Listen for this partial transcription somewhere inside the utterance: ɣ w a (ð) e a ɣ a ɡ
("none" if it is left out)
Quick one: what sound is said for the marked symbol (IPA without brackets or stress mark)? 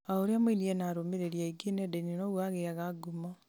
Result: ɣ